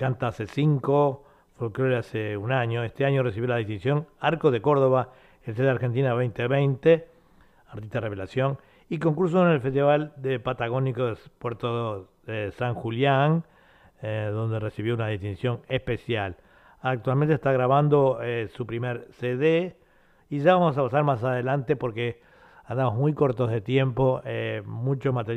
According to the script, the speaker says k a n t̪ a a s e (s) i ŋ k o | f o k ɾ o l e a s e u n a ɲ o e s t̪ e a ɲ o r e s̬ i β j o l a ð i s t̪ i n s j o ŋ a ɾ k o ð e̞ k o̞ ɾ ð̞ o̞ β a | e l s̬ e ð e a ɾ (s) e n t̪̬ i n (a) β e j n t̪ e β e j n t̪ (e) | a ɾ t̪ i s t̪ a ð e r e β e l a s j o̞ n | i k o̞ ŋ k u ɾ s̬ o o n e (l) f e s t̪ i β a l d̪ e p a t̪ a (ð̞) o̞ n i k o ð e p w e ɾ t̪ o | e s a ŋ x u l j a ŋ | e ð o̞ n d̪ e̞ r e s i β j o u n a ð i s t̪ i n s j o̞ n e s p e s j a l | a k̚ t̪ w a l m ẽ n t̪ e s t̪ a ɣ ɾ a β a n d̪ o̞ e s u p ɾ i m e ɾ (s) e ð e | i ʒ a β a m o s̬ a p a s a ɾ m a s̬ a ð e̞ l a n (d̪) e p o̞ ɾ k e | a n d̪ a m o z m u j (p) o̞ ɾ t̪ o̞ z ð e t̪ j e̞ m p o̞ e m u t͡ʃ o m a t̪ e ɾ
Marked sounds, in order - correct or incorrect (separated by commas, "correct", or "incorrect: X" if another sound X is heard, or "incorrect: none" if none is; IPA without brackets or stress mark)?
correct, incorrect: x, correct, correct, correct, incorrect: ɣ̞, correct, incorrect: t̪, incorrect: k